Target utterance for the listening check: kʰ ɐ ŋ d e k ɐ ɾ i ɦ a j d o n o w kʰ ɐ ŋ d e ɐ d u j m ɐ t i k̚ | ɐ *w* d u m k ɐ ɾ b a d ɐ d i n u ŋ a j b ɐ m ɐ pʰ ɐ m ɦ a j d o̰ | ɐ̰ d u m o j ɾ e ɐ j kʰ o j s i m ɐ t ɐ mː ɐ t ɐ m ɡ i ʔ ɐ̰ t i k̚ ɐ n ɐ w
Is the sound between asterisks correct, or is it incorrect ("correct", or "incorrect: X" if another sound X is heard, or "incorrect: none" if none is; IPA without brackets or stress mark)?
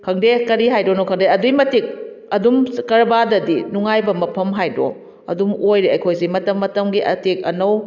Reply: incorrect: none